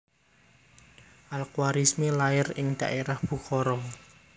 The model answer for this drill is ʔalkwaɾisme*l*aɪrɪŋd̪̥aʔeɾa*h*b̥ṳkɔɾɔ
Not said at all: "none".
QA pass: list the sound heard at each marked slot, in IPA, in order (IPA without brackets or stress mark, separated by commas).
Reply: l, h